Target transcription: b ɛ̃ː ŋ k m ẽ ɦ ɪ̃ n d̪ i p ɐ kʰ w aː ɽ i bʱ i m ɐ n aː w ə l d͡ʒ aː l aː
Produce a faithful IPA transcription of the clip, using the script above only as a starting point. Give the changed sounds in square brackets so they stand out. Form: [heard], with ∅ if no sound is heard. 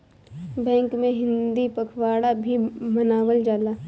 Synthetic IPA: b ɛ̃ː ŋ k m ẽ ɦ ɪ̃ n d̪ i p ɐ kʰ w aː ɽ [a] bʱ i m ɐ n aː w ə l d͡ʒ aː l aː